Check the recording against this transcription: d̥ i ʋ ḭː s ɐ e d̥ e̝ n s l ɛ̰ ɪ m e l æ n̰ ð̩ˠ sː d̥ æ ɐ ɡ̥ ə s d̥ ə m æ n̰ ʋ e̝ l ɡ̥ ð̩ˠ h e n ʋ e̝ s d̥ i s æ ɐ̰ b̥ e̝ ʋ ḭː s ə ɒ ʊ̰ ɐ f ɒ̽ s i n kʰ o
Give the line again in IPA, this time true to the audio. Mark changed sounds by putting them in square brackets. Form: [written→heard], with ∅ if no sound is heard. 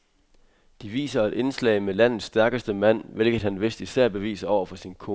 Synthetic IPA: d̥ i ʋ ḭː s ɐ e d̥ e̝ n s l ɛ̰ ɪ m e l æ n̰ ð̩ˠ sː d̥ æ ɐ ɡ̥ ə s d̥ ə m æ n̰ ʋ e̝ l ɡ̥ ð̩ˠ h [e→æ] n ʋ e̝ s d̥ i s æ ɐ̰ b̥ e̝ ʋ ḭː s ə ɒ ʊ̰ ɐ f ɒ̽ s i n kʰ o